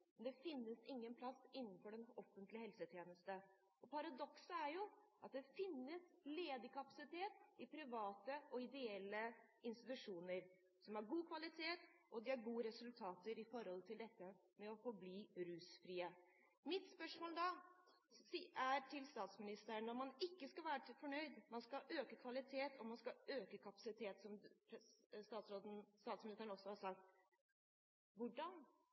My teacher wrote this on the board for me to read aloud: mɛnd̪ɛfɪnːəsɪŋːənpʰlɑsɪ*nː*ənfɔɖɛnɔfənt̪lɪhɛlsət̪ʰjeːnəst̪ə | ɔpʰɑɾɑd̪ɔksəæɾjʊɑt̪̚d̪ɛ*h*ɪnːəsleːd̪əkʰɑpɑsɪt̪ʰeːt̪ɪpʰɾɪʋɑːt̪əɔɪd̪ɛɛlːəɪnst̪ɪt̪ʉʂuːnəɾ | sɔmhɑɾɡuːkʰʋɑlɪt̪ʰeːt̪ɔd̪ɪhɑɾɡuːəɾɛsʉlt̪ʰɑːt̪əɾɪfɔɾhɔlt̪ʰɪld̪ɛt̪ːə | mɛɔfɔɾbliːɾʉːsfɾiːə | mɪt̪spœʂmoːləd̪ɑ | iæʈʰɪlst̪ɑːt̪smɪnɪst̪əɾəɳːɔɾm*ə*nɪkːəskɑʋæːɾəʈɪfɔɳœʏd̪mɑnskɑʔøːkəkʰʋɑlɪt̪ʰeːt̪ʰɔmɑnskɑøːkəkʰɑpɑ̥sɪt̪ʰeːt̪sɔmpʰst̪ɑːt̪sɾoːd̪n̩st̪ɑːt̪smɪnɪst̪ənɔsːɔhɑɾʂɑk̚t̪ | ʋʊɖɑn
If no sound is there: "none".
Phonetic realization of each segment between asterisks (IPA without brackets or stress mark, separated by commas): nː, f, ɑ